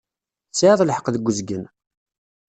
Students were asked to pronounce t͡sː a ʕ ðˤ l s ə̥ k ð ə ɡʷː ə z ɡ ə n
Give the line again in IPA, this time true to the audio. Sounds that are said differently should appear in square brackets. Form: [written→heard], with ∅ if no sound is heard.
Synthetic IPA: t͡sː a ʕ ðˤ l [s→ħ] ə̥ [k→q] ð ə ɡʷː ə z ɡ ə n